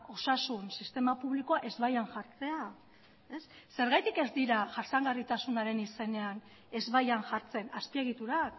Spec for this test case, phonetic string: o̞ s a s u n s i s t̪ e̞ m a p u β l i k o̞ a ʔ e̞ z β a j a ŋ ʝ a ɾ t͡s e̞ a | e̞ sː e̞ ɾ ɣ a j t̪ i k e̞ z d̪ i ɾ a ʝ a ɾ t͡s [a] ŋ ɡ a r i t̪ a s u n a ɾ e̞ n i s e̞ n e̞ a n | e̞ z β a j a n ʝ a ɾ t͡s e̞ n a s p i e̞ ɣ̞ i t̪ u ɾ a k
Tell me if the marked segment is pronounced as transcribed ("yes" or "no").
yes